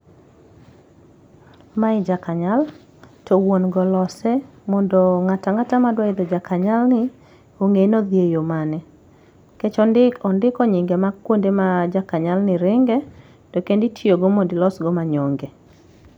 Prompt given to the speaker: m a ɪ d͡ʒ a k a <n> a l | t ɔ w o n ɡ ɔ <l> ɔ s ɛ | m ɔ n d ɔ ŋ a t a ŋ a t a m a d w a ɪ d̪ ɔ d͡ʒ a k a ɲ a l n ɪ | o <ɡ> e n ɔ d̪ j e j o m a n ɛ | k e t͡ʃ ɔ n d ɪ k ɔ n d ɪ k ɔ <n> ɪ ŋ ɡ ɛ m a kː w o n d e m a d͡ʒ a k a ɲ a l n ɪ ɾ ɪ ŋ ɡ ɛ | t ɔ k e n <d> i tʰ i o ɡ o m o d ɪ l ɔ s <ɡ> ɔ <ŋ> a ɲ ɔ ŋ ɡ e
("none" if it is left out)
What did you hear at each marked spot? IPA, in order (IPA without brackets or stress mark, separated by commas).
ɲ, l, ŋ, ɲ, d, ɡ, m